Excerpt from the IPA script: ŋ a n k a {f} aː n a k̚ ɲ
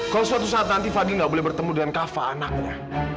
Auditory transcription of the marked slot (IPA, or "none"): f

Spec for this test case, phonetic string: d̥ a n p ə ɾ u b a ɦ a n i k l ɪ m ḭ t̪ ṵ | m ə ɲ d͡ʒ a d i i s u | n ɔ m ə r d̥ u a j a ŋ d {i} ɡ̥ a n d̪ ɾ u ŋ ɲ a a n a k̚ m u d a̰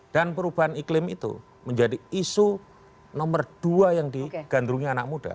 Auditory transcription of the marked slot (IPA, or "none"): i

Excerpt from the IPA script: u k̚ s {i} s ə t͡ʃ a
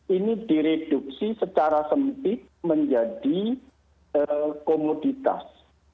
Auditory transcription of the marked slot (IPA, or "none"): i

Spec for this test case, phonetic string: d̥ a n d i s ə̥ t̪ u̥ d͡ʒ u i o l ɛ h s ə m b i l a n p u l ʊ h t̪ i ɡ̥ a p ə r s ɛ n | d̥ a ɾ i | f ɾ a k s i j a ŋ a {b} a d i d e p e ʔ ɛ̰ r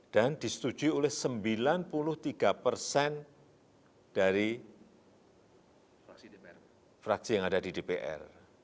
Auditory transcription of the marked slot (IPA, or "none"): d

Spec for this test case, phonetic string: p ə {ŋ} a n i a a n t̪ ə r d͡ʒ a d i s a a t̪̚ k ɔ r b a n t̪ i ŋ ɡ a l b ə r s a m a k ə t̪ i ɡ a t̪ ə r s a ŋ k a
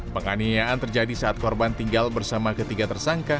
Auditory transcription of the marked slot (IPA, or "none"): ŋ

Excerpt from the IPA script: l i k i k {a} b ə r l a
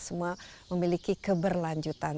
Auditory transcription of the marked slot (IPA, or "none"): ə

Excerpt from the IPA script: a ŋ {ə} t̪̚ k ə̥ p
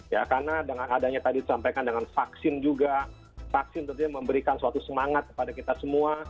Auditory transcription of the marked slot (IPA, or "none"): a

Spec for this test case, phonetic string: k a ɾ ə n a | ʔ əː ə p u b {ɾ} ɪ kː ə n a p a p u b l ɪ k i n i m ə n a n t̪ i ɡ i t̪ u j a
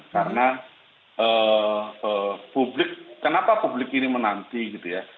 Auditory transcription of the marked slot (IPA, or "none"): l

